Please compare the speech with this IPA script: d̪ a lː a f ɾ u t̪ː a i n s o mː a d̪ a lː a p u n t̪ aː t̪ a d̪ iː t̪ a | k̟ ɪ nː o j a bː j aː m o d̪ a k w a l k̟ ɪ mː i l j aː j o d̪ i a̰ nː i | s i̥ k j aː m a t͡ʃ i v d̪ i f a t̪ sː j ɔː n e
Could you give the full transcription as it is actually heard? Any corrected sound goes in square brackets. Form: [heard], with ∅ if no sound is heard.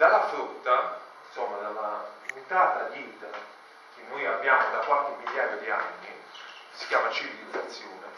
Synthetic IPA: d̪ a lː a f ɾ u t̪ː a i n s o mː a d̪ a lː a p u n t̪ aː t̪ a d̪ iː t̪ a | k̟ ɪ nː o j a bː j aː m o d̪ a k w a l k̟ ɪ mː i l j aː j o d̪ i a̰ nː i | s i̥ k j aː m a t͡ʃ i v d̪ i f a t̪ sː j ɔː n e